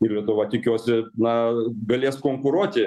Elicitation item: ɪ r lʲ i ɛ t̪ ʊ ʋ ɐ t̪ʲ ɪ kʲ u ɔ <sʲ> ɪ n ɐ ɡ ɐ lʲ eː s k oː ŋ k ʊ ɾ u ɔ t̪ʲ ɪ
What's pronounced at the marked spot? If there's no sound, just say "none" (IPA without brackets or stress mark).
sʲ